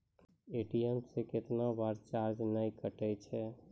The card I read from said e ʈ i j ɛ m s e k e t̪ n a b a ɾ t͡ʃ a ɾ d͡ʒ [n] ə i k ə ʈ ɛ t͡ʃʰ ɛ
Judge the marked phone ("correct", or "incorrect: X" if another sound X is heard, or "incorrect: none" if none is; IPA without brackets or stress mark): correct